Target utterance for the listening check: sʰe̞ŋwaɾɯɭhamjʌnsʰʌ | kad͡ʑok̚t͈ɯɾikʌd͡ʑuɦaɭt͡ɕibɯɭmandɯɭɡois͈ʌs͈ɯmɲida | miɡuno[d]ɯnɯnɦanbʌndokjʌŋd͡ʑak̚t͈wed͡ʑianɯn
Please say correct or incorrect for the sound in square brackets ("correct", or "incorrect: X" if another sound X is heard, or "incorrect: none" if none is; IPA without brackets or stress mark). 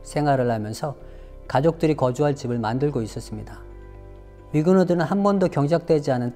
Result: correct